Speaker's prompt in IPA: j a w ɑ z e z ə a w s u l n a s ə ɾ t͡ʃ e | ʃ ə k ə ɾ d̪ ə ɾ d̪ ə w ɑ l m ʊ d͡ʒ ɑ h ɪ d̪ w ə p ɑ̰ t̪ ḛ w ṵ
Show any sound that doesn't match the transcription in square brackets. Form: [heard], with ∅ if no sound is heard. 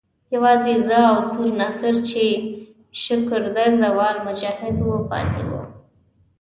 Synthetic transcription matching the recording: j a w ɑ z e z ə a w s u [ɾ] n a s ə ɾ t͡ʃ e | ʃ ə k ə ɾ d̪ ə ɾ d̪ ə w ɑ l m ʊ d͡ʒ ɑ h ɪ d̪ w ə p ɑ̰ t̪ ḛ w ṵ